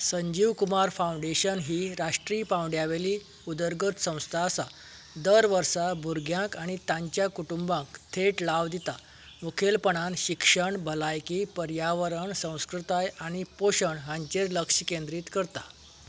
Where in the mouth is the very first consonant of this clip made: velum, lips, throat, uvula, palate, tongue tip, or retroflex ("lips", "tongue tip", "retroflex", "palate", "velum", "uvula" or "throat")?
tongue tip